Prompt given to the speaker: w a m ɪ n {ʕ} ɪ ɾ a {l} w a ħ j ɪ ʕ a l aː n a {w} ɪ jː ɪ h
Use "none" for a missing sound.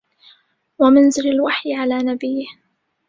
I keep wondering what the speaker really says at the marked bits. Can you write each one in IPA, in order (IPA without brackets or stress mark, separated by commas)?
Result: z, l, b